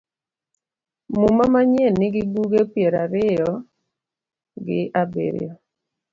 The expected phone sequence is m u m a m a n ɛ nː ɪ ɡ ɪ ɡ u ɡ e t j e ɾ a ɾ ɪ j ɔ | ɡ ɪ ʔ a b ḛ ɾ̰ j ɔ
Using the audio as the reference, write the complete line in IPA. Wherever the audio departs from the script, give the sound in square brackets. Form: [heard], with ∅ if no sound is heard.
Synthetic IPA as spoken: m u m a m a [ɲ] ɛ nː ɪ ɡ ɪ [b] u ɡ e [p] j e ɾ a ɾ ɪ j ɔ | ɡ ɪ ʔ a b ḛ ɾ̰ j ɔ